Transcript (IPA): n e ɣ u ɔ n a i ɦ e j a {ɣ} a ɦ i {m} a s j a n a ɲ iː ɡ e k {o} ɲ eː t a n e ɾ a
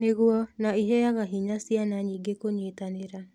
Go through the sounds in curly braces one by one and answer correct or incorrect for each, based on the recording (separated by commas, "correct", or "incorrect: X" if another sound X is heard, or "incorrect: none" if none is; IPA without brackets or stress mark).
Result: correct, incorrect: ɲ, correct